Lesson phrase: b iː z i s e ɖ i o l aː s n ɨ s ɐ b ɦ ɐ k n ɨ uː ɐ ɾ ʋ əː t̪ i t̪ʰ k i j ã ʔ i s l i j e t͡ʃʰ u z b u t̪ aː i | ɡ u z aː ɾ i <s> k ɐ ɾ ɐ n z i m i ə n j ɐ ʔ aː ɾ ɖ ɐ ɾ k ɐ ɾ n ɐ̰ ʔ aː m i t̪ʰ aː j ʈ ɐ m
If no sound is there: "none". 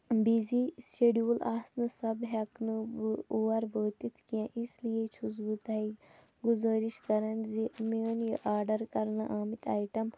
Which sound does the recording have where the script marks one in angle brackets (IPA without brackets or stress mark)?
ʃ